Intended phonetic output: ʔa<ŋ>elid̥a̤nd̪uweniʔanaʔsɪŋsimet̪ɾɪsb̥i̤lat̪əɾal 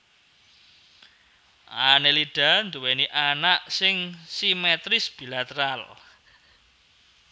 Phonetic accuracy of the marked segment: incorrect: n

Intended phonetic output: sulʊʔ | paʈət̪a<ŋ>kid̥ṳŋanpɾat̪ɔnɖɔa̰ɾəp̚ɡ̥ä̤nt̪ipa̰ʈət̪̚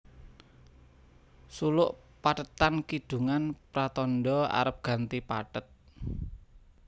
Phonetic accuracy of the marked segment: incorrect: n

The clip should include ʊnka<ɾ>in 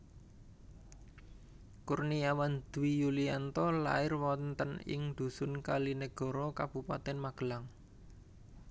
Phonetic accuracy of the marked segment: incorrect: l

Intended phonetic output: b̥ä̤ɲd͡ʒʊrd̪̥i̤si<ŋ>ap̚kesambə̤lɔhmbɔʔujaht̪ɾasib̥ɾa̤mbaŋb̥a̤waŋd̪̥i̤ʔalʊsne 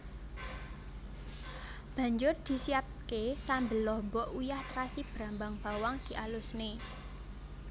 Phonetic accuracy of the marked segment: incorrect: none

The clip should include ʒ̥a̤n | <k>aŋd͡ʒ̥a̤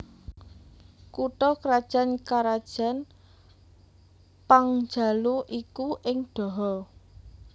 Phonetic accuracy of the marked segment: incorrect: p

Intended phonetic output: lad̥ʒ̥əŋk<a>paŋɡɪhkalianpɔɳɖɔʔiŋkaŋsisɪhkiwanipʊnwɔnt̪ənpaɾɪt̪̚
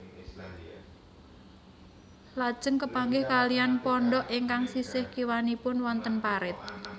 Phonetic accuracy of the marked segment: incorrect: ə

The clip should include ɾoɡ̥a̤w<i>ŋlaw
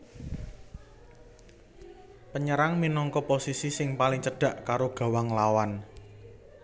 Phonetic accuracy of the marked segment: incorrect: a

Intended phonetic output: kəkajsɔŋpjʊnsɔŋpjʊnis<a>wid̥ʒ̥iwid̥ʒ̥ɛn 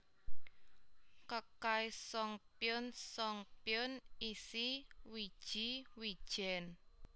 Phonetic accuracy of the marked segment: incorrect: i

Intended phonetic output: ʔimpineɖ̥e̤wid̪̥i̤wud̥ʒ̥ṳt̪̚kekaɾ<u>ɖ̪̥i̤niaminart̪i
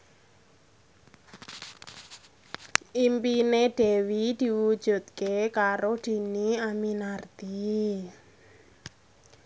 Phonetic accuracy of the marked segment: incorrect: o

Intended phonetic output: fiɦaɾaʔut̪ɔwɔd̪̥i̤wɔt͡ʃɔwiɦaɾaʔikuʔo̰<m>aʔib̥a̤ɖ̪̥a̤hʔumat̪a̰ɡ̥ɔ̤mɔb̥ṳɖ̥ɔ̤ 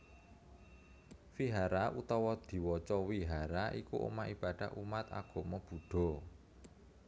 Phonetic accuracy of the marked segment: correct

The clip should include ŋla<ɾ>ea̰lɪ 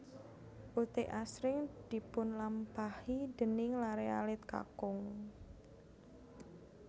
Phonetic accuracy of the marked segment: correct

